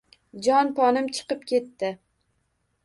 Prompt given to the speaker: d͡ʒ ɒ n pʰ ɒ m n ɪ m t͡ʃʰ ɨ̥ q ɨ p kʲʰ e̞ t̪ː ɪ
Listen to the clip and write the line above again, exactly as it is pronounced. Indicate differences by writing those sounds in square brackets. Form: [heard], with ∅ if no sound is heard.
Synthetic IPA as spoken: d͡ʒ ɒ n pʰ ɒ [∅] n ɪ m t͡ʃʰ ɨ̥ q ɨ p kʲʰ e̞ t̪ː ɪ